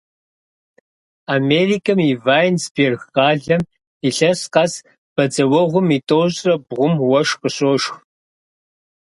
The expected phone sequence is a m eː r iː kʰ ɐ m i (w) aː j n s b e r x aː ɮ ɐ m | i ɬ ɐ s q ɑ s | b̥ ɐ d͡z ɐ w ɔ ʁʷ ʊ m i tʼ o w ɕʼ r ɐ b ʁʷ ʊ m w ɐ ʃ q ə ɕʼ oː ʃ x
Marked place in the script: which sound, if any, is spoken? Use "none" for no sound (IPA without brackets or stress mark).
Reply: v